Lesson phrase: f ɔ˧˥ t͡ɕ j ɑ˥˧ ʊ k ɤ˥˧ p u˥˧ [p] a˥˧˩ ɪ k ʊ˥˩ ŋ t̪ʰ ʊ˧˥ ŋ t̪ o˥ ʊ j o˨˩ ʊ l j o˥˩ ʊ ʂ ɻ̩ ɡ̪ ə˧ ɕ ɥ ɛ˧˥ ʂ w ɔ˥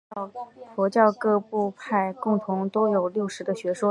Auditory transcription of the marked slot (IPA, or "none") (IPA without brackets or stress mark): pʰ